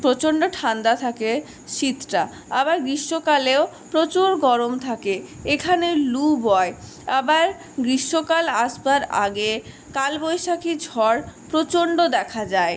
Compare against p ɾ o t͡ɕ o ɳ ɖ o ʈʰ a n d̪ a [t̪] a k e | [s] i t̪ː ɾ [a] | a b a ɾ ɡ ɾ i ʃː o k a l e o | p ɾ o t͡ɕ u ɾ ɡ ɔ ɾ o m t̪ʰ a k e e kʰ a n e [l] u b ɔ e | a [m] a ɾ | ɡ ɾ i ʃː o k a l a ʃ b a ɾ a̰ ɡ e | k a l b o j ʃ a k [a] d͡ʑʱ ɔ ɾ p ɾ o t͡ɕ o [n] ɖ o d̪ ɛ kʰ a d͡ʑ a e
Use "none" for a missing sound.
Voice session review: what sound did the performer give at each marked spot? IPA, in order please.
t̪ʰ, ʃ, a, l, b, i, ɳ

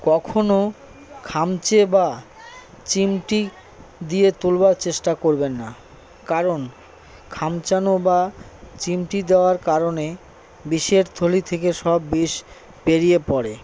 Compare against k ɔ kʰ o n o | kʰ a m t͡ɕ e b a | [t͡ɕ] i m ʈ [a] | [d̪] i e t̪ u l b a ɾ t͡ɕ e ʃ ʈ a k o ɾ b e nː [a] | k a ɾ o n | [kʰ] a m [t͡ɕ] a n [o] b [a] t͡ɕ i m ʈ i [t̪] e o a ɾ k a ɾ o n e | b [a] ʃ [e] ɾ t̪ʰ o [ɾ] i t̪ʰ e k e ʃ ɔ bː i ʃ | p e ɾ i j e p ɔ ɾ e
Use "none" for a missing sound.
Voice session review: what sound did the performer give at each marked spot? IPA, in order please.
t͡ɕ, i, d̪, a, kʰ, t͡ɕ, o, a, d̪, i, e, l

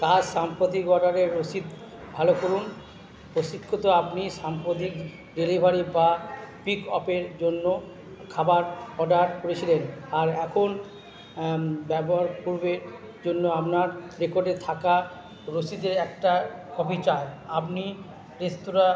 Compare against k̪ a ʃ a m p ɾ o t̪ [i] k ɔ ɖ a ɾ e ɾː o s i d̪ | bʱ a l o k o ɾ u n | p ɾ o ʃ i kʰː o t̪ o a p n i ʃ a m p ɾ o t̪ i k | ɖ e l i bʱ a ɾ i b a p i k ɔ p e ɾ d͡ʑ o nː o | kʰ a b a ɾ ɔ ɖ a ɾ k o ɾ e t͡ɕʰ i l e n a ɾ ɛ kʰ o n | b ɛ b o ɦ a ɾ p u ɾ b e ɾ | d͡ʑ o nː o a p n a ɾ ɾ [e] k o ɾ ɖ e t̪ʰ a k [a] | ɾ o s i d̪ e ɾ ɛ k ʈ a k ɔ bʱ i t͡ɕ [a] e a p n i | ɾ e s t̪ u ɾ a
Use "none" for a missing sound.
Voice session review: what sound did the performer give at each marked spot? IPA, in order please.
i, e, a, a

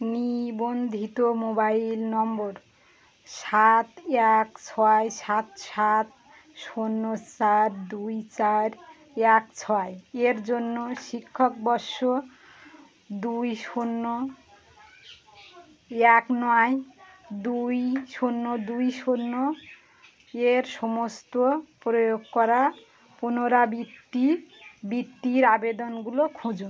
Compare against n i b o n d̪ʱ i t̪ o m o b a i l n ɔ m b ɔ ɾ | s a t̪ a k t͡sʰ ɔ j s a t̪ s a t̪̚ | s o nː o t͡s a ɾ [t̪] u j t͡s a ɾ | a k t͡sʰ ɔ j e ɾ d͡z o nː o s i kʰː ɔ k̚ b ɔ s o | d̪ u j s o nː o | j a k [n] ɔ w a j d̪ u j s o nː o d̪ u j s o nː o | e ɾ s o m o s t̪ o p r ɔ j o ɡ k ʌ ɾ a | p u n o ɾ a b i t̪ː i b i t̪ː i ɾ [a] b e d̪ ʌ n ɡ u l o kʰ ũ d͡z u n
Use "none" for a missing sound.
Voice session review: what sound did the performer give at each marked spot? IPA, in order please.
d̪, n, a

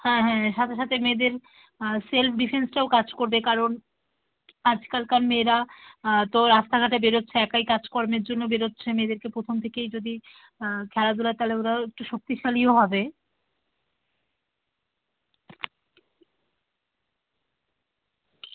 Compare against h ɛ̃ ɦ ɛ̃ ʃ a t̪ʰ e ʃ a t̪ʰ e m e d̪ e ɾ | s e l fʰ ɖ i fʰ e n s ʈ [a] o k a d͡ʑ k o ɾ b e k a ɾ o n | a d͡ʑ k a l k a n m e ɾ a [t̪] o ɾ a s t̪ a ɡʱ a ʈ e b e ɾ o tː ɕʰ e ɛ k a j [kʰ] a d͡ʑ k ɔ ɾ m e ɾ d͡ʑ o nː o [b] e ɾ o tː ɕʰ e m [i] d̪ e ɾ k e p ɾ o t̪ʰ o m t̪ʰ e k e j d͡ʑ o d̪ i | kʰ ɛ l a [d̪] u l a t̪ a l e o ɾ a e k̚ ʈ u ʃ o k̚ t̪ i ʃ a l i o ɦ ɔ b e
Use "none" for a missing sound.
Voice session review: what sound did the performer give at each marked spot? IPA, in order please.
a, t̪, k, b, e, d̪

